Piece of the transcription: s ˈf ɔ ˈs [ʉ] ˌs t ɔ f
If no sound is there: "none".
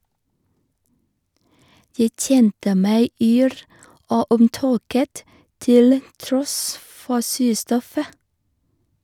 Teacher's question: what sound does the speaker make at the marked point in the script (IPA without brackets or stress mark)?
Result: ʉː